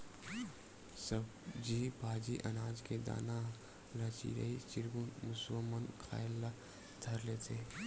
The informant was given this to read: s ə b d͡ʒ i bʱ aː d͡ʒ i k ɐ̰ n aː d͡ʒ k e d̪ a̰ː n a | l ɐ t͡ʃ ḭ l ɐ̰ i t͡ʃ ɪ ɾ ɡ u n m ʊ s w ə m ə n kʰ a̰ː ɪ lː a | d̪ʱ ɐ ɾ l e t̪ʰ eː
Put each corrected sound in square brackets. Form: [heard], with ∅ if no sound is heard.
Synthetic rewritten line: s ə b d͡ʒ i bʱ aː d͡ʒ i [ʔ] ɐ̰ n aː d͡ʒ k e d̪ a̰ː n a | l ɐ t͡ʃ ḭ [ɾ] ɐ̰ i t͡ʃ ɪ ɾ ɡ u n m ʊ s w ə m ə n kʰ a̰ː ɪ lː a | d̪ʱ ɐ ɾ l e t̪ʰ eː